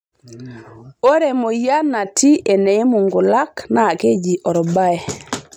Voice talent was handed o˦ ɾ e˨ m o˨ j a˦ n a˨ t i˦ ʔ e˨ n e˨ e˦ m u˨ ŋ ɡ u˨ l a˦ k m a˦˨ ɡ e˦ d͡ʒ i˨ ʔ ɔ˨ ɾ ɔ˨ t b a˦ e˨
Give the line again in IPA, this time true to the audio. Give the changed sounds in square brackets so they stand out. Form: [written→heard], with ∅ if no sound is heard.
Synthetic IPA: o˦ ɾ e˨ m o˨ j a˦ n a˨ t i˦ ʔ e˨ n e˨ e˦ m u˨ ŋ ɡ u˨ l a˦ k [m→n] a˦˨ [ɡ→k] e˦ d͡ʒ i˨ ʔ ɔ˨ ɾ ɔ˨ [t→∅] b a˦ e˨